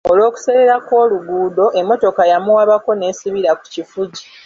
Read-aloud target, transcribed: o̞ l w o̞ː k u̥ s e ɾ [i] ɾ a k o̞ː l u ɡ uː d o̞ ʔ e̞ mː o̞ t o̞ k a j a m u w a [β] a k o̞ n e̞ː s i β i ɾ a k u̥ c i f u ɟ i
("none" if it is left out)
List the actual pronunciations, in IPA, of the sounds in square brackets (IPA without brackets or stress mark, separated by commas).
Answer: e, β